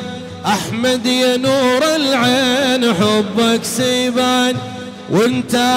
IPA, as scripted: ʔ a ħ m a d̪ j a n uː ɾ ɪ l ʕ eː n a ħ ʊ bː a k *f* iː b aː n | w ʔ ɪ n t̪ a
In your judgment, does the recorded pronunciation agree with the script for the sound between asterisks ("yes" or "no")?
no